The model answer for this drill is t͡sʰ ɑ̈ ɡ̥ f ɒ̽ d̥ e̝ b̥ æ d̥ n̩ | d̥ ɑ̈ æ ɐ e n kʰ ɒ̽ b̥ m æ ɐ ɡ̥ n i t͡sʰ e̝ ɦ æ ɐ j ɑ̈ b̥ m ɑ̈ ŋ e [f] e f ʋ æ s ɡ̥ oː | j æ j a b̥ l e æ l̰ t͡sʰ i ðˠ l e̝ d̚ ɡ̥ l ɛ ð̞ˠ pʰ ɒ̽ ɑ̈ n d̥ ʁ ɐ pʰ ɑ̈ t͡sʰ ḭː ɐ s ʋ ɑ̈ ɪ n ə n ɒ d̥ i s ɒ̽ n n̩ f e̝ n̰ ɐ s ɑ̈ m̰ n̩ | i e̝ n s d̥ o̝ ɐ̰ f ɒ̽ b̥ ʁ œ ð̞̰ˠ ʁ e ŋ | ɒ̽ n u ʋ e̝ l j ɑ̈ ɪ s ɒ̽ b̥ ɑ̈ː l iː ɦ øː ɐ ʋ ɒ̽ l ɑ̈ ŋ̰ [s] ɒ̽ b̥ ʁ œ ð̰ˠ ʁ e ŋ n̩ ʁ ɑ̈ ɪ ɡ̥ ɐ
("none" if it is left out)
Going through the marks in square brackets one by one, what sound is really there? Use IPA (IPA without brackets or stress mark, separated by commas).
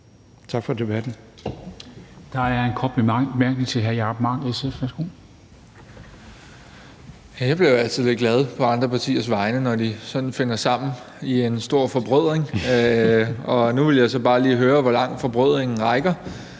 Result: s, f